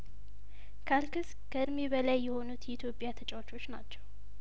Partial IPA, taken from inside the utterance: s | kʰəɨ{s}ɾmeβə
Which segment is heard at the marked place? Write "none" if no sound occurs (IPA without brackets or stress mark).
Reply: none